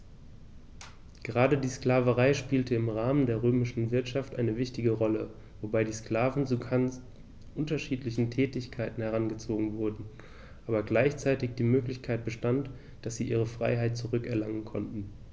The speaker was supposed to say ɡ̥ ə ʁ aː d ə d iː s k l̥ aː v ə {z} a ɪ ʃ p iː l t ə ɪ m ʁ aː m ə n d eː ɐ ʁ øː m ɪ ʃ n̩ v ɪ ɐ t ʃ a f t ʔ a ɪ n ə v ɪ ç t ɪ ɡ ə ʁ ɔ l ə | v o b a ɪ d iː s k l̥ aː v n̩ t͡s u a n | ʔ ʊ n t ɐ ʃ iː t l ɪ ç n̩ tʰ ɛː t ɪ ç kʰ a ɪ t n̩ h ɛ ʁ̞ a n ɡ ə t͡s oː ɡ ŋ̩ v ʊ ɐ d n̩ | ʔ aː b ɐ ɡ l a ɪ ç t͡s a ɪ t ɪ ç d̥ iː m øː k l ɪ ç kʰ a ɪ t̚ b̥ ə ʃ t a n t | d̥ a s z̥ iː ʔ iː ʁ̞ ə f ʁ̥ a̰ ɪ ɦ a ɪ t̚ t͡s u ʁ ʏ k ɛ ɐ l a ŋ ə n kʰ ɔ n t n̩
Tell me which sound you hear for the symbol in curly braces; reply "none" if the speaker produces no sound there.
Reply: ʁ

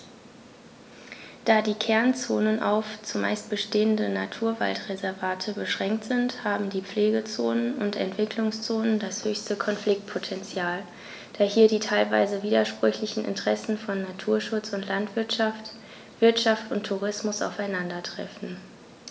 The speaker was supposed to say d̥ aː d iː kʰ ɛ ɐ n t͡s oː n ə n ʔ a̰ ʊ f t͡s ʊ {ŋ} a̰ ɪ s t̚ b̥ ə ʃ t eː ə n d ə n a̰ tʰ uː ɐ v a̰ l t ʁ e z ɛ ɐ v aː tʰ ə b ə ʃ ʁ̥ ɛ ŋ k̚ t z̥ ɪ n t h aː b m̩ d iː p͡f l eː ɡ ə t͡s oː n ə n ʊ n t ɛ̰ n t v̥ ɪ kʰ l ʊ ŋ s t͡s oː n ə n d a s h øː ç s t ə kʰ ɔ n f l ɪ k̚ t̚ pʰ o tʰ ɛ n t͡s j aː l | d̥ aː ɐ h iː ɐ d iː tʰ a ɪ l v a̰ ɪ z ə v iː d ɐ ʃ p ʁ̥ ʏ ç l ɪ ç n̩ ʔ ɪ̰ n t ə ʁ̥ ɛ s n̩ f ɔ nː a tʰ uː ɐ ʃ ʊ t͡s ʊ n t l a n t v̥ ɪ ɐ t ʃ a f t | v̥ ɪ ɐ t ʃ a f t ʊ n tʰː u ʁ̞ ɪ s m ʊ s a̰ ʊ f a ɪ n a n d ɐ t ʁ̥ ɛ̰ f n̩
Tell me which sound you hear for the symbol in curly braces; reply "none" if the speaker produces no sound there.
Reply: m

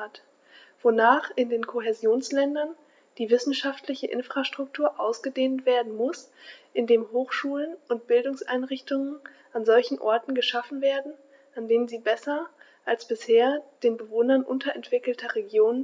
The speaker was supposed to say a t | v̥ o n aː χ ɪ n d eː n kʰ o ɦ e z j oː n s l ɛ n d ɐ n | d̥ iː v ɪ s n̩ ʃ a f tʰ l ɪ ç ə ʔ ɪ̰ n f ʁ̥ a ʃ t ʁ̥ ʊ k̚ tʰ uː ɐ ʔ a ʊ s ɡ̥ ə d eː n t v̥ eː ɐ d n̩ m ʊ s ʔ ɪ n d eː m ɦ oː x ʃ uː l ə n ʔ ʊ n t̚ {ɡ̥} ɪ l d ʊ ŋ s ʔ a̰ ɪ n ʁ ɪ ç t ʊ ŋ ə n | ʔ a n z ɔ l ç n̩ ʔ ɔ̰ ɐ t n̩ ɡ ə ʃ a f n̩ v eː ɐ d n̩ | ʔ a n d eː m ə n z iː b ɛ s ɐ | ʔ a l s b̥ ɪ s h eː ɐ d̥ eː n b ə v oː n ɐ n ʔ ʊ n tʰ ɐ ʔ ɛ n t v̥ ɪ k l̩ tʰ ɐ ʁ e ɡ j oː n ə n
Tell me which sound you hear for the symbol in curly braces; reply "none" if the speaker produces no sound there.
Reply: b̥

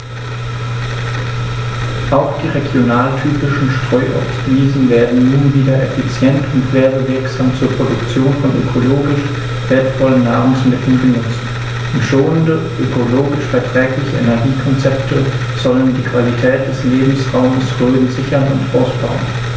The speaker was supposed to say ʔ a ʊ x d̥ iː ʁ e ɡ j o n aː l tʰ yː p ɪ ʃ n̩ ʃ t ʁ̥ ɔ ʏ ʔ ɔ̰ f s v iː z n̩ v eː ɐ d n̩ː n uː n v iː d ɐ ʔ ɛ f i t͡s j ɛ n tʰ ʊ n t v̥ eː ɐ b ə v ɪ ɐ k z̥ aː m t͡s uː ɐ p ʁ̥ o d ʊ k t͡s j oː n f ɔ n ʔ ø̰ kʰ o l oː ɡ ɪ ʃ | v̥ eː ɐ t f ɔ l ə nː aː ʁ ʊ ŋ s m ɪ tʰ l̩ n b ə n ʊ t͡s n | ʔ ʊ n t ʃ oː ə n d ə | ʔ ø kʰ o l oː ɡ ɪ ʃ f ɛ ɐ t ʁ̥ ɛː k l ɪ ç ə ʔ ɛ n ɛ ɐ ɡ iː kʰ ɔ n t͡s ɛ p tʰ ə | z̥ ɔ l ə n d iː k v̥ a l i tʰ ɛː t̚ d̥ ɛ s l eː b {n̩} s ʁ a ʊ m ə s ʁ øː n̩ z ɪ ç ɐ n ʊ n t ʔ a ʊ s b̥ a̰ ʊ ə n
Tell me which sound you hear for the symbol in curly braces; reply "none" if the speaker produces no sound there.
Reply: m̩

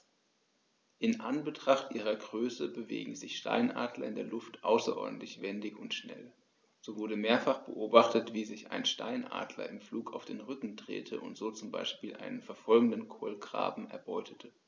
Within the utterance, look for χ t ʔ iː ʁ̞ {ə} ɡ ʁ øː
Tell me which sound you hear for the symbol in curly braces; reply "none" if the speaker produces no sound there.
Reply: ɐ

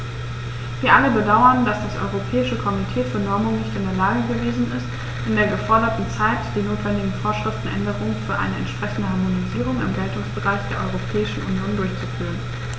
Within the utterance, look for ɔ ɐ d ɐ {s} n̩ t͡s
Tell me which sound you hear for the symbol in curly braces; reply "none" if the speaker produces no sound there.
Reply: t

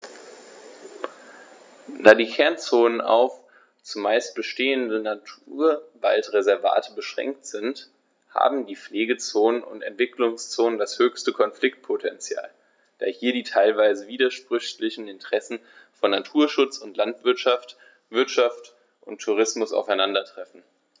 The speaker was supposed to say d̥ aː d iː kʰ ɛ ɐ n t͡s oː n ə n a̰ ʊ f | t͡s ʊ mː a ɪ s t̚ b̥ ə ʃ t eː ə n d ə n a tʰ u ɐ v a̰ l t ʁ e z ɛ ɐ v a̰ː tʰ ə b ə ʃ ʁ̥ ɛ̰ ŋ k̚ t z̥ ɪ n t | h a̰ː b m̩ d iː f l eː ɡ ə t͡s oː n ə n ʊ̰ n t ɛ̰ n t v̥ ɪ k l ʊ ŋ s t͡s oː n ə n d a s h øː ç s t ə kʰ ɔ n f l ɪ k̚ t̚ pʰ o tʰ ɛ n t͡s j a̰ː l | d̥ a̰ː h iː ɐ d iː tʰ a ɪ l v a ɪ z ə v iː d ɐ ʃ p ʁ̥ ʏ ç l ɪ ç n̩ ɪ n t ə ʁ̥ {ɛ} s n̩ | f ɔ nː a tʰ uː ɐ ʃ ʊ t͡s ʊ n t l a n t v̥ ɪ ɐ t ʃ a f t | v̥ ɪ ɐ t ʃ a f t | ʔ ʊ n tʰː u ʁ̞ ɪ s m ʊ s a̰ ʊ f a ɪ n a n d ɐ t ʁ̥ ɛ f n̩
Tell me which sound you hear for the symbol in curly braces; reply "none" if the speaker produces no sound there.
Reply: ɛ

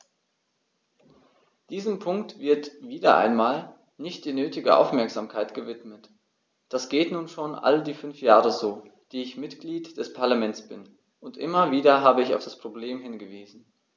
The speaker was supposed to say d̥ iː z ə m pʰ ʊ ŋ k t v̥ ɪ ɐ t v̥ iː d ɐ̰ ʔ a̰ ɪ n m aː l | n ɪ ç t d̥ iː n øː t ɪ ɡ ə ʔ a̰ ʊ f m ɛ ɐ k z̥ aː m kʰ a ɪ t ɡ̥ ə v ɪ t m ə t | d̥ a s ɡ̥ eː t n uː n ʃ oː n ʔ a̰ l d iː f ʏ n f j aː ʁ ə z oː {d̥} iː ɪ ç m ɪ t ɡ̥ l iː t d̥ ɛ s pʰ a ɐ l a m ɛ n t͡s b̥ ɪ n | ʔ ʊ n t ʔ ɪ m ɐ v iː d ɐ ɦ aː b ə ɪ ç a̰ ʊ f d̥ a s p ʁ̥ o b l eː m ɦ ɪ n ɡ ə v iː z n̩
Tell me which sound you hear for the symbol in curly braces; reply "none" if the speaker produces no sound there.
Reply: d̥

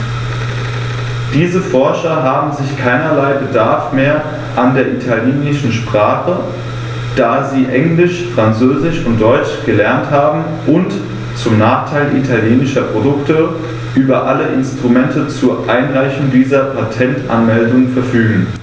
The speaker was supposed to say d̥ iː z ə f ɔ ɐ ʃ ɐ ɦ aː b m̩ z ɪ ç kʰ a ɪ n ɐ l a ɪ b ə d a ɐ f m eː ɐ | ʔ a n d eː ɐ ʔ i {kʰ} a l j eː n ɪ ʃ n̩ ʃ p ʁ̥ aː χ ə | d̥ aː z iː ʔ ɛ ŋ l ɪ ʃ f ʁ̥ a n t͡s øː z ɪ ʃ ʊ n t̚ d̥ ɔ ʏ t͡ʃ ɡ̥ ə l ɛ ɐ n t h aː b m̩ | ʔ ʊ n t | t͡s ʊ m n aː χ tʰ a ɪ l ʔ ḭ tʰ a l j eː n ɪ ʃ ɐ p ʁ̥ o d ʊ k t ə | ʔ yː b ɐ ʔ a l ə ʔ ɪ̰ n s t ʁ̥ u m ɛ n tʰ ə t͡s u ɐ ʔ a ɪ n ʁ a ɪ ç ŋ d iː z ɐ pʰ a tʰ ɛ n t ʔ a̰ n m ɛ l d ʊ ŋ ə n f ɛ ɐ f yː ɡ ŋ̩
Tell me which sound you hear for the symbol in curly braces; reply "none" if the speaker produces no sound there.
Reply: tʰ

